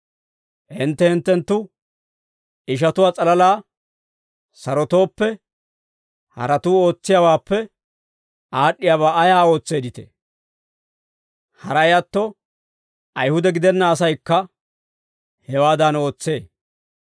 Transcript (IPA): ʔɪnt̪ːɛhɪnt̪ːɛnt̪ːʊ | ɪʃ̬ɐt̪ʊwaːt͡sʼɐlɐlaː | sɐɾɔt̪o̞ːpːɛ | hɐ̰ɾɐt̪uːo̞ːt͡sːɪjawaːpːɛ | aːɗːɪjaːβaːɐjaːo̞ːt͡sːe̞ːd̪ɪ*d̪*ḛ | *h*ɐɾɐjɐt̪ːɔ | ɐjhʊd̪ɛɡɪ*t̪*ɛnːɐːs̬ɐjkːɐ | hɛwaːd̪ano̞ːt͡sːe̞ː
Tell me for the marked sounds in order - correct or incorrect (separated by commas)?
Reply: incorrect, correct, incorrect